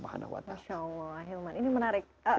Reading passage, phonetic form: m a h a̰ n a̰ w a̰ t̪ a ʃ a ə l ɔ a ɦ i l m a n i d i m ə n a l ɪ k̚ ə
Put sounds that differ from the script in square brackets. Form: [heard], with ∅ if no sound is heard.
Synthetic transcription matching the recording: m a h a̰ n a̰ w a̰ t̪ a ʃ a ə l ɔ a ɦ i l m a n i [n] i m ə n a [ɾ] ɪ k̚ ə